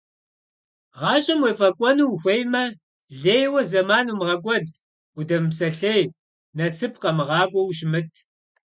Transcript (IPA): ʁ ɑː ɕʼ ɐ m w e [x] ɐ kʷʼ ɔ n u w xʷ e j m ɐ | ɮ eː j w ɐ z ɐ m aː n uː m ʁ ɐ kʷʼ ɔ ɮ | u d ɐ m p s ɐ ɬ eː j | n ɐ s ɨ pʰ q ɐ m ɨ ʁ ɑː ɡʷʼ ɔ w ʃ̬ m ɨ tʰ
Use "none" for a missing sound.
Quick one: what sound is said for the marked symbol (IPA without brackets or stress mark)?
f